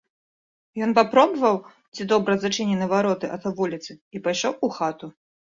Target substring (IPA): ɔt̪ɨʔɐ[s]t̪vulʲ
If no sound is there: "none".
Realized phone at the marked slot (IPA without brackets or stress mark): none